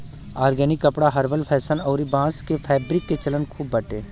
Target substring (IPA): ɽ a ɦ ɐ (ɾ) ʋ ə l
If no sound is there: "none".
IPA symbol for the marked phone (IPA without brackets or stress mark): ɾ